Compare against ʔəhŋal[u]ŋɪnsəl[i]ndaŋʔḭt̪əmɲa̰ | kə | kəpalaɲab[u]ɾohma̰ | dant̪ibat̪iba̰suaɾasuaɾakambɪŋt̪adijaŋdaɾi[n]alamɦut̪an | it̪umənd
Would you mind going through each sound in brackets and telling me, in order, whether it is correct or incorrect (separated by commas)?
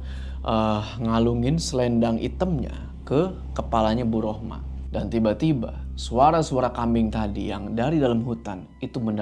correct, incorrect, correct, incorrect